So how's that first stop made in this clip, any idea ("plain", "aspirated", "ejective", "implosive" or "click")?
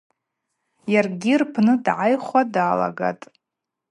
plain